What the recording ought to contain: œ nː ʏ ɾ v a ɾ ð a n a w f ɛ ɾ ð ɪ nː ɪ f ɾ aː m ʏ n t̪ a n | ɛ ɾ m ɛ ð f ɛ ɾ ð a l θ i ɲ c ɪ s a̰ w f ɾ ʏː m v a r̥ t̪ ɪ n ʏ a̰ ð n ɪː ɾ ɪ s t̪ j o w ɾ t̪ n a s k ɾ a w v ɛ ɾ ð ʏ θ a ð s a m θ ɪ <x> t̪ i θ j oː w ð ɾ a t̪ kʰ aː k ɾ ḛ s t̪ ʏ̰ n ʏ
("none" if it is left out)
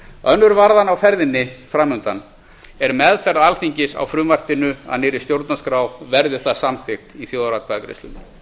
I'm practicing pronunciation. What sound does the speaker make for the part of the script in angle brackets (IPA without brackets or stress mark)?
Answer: x